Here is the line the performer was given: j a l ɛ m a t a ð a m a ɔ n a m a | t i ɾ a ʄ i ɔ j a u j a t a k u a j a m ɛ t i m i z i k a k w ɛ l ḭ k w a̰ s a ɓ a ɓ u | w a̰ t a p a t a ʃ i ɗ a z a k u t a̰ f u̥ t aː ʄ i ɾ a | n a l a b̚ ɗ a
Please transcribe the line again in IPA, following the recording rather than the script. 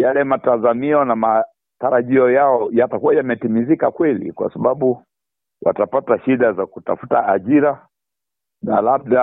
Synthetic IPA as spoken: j a l ɛ m a t a z a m i ɔ n a m a | t a ɾ a ʄ i ɔ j a ɔ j a t a k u a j a m ɛ t i m i z i k a k w ɛ l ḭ k w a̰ s a ɓ a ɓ u | w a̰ t a p a t a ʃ i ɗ a z a k u t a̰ f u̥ t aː ʄ i ɾ a | n a l a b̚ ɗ a